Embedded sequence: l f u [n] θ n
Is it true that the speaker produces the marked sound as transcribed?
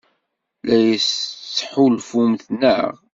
no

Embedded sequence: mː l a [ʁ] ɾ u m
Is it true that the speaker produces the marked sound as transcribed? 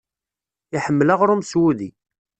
yes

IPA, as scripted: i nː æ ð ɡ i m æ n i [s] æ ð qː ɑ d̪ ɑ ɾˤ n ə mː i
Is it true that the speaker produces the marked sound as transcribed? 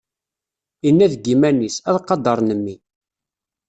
yes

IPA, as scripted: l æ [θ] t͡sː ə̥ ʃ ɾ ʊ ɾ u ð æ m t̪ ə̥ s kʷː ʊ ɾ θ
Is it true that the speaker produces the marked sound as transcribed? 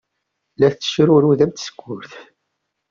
yes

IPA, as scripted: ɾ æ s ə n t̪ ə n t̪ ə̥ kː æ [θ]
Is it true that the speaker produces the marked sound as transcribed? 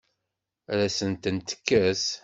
no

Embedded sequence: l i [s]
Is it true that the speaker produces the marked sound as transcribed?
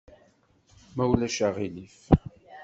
no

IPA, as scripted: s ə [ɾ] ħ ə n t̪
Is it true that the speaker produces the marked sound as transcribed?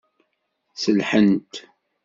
no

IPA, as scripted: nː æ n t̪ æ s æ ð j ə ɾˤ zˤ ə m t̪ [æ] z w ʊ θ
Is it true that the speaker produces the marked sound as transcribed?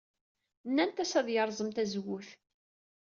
yes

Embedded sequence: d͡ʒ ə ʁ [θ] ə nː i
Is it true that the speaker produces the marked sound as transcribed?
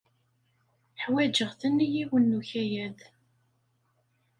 yes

